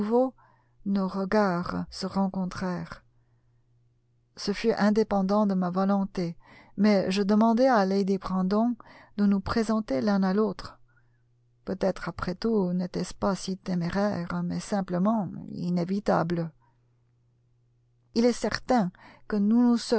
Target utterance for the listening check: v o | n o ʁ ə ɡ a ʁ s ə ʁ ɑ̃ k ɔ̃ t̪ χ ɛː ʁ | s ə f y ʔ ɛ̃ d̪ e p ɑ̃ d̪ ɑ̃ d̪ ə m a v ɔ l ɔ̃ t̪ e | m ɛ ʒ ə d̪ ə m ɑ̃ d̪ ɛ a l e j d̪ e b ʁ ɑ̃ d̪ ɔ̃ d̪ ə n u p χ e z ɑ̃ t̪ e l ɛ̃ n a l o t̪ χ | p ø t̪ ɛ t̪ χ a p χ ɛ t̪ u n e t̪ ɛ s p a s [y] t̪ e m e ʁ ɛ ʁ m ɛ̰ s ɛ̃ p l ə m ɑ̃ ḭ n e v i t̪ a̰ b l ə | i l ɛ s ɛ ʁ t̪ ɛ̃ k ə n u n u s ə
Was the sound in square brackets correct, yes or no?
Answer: no